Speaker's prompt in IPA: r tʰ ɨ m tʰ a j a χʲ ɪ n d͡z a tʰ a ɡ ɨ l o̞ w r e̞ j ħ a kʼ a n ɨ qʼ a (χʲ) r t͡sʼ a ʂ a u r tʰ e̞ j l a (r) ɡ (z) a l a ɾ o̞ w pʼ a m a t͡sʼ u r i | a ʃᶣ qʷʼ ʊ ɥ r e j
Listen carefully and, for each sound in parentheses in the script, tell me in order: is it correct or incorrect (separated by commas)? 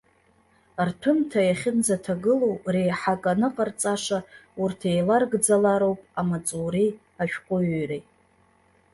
incorrect, correct, incorrect